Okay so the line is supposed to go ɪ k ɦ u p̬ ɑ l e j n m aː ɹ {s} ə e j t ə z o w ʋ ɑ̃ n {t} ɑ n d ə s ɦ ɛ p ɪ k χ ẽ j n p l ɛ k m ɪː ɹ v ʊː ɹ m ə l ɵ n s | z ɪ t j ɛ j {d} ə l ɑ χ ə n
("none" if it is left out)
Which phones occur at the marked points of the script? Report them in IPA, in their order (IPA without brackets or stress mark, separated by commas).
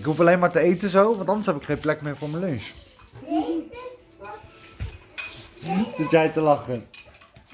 t, t, t